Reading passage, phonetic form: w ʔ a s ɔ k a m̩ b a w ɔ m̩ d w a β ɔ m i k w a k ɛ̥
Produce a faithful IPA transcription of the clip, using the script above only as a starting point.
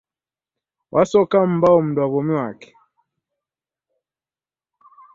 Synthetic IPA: w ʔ a s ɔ k a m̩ b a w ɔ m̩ d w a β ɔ m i w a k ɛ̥